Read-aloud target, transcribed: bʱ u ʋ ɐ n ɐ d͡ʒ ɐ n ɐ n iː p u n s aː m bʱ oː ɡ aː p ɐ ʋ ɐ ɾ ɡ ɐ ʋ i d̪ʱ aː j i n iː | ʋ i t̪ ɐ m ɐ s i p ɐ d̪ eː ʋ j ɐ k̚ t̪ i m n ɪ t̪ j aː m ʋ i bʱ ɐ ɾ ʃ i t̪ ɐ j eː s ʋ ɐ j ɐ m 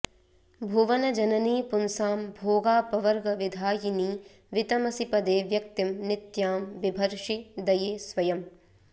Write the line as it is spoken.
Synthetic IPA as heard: bʱ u ʋ ɐ n ɐ d͡ʒ ɐ n ɐ n iː p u n s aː m bʱ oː ɡ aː p ɐ ʋ ɐ ɾ ɡ ɐ ʋ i d̪ʱ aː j i n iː | ʋ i t̪ ɐ m ɐ s i p ɐ d̪ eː ʋ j ɐ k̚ t̪ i m n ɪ t̪ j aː m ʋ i bʱ ɐ ɾ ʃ i d̪ ɐ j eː s ʋ ɐ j ɐ m